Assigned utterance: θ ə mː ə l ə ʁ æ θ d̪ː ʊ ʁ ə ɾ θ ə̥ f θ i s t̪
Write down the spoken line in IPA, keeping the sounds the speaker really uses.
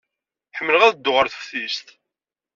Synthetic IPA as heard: ħ ə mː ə l ə ʁ æ ð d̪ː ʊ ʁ ə ɾ θ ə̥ f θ i s t̪